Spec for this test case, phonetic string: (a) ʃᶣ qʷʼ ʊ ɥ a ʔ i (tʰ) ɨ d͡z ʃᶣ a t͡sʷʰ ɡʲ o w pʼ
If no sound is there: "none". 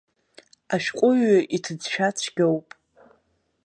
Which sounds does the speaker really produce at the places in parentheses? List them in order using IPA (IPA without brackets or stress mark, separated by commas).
a, tʰ